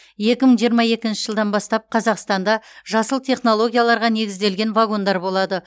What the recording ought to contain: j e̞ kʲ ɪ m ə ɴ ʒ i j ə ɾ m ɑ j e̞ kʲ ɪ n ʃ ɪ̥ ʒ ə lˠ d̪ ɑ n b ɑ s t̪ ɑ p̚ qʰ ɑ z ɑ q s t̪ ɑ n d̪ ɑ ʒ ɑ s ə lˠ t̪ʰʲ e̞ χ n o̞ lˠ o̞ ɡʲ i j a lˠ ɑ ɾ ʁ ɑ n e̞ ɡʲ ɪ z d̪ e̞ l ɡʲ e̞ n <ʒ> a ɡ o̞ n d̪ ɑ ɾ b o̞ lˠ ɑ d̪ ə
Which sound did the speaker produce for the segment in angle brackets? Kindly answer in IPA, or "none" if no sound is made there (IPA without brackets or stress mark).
v